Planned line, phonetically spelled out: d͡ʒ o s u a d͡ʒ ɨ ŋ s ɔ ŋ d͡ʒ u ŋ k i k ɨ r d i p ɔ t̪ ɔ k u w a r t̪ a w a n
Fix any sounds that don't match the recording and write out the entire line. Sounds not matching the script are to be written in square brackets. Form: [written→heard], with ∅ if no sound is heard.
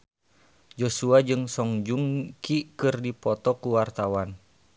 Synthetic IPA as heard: d͡ʒ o s u a d͡ʒ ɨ ŋ s ɔ ŋ d͡ʒ u ŋ k i k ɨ r d i p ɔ t̪ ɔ k u w a r t̪ a w a n